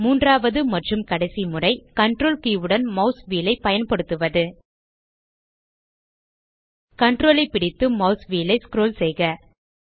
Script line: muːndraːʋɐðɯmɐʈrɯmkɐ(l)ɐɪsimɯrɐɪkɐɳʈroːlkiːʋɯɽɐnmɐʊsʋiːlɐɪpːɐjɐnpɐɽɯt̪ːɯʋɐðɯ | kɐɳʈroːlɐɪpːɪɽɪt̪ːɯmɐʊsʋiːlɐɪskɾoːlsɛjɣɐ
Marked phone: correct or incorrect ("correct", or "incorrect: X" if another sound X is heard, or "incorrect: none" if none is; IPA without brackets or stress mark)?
incorrect: ɽ